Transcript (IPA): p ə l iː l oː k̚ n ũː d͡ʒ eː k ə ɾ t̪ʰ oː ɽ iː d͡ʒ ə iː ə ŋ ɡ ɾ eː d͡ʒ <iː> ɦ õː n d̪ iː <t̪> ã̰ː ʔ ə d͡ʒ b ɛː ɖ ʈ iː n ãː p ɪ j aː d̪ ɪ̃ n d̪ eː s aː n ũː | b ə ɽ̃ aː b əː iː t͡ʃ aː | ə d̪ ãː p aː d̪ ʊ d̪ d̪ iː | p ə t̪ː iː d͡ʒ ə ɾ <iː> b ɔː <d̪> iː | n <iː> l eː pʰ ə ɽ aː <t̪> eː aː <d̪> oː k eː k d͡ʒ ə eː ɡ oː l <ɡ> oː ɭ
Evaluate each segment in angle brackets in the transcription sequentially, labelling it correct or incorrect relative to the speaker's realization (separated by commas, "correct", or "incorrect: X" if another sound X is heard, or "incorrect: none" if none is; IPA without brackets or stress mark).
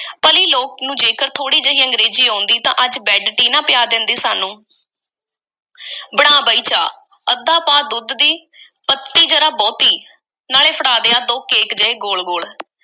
correct, correct, incorrect: aː, incorrect: t̪, incorrect: aː, incorrect: d̪, correct, correct